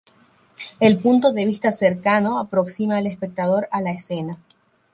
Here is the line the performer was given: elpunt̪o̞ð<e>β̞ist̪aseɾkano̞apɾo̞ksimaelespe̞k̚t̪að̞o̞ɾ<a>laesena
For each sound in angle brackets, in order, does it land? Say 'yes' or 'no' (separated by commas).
yes, yes